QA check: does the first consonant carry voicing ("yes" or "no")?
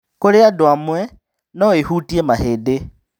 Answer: no